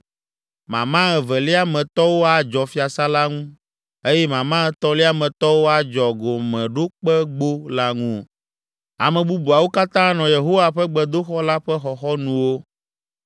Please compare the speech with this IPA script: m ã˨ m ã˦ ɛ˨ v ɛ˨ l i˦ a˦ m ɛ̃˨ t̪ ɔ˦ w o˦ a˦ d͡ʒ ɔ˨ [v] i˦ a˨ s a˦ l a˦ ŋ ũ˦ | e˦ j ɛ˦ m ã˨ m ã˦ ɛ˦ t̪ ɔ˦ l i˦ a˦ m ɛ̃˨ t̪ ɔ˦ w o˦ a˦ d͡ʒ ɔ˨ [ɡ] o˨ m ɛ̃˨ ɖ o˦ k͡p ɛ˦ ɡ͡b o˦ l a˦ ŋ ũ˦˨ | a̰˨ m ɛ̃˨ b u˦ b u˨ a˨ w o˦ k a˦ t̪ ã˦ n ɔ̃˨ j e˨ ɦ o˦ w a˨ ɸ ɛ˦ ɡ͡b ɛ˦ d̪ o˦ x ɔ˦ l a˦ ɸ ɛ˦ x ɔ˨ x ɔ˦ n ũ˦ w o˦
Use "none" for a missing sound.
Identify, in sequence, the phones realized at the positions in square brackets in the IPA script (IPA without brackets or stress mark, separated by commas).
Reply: f, ɡ